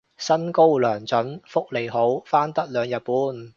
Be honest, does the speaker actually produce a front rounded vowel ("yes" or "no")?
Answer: yes